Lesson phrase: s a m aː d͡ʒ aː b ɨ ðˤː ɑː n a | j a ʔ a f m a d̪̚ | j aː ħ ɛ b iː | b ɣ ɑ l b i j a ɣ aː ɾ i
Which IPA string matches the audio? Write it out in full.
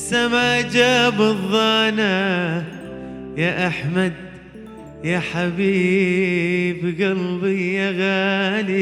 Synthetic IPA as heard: s a m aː d͡ʒ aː b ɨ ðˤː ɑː n a | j a ʔ a ħ m a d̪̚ | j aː ħ a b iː | b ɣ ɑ l b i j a ɣ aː l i